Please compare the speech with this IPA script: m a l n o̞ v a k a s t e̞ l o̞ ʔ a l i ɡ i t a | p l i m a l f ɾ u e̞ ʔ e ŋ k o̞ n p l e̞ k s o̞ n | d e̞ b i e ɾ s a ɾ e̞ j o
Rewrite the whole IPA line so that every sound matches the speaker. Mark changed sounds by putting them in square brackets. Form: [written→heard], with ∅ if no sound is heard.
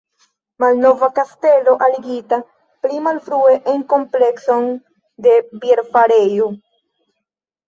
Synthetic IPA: m a l n o̞ v a k a s t e̞ l o̞ ʔ a l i ɡ i t a | p l i m a l f ɾ u e̞ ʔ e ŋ k o̞ [n→m] p l e̞ k s o̞ n | d e̞ b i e ɾ [s→f] a ɾ e̞ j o